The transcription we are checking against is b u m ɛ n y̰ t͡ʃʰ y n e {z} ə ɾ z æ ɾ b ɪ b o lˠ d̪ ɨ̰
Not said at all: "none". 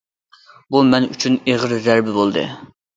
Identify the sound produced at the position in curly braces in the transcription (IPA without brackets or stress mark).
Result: ʁ